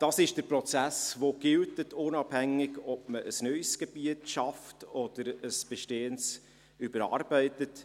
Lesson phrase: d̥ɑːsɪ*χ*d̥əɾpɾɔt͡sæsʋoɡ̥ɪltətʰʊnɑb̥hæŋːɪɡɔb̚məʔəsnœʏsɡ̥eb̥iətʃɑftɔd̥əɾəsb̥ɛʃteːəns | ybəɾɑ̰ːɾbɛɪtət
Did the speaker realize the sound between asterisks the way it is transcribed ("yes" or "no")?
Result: no